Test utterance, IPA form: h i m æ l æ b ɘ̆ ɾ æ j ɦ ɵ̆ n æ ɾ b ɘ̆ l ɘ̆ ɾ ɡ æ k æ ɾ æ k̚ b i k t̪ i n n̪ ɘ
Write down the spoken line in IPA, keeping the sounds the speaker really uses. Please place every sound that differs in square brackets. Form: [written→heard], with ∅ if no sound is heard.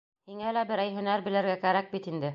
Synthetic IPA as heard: h i [m→ŋ] æ l æ b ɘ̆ ɾ æ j ɦ ɵ̆ n æ ɾ b ɘ̆ l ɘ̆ ɾ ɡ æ k æ ɾ æ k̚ b i [k→∅] t̪ i n [n̪→d̪] ɘ